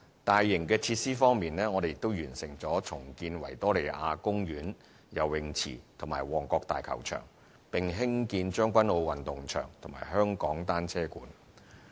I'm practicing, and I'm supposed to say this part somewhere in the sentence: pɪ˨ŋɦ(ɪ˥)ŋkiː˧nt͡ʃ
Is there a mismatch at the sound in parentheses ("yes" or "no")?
no